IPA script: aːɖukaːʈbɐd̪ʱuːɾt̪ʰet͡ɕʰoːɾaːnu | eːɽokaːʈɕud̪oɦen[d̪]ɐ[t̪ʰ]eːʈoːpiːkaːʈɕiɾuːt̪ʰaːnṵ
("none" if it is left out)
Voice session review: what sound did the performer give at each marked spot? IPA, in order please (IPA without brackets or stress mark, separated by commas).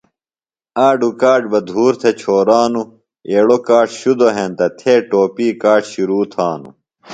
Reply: t̪, t̪ʰ